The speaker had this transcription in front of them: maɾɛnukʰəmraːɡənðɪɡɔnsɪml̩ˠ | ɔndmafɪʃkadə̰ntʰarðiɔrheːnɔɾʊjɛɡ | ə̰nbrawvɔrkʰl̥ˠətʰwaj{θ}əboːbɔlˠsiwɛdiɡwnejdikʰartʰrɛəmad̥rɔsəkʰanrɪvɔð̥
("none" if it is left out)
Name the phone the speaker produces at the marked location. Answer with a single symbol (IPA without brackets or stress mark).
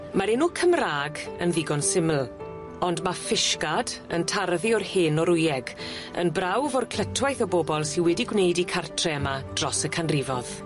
θ